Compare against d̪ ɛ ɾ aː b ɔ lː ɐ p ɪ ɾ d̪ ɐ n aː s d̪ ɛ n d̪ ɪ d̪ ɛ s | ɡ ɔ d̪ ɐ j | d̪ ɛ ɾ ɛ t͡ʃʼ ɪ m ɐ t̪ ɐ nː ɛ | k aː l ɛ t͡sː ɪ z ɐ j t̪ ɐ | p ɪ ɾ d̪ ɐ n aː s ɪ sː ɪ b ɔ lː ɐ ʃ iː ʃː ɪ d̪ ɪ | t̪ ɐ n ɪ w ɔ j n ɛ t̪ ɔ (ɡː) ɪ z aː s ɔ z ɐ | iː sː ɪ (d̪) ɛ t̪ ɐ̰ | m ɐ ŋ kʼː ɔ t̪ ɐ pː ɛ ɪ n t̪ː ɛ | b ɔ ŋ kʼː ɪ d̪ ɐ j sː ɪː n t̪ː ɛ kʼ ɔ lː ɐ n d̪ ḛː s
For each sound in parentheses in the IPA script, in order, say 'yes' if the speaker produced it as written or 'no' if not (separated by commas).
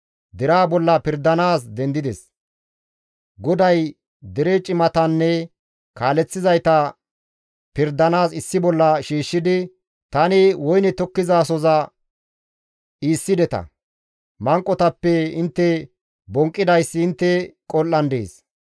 no, yes